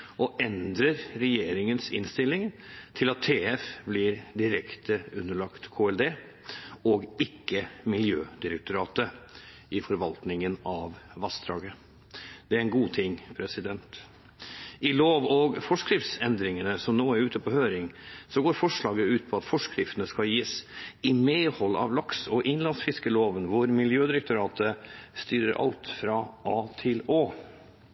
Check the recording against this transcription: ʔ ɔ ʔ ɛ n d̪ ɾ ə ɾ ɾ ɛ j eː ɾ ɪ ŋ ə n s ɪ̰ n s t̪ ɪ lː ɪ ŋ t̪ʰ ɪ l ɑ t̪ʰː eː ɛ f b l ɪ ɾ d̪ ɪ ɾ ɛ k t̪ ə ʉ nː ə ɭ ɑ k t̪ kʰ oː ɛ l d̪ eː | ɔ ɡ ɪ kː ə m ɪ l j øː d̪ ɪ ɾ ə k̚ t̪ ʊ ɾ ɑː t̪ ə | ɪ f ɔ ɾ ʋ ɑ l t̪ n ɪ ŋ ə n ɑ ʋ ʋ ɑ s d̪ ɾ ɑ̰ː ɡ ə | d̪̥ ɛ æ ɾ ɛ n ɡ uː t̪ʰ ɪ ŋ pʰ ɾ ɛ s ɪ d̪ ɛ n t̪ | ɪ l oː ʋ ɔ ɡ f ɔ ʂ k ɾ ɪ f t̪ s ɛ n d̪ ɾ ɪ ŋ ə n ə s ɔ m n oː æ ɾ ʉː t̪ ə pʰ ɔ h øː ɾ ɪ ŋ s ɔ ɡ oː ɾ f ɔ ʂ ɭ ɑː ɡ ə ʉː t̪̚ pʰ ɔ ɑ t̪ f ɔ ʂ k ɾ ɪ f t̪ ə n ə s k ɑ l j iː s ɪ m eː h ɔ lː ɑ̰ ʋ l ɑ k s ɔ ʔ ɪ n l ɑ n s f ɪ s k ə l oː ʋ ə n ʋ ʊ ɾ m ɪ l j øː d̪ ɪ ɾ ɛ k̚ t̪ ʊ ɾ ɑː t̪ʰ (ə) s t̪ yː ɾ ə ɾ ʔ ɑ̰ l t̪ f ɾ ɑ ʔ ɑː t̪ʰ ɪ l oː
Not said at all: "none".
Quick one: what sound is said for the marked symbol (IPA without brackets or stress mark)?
ə